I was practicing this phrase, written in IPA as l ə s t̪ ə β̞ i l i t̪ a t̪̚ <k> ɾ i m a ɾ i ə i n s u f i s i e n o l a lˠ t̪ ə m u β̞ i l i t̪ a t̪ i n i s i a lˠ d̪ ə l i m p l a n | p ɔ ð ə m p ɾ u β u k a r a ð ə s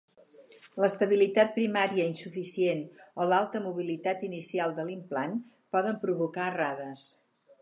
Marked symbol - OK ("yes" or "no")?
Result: no